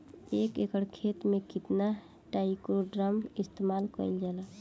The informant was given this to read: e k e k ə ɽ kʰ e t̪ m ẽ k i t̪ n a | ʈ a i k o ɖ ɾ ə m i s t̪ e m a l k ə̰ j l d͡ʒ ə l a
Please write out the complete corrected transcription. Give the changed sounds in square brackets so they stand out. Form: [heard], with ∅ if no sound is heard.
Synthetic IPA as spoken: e k e k ə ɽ kʰ e t̪ m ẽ k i t̪ n a | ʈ a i k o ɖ ɾ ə m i s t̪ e m a l k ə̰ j l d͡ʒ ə l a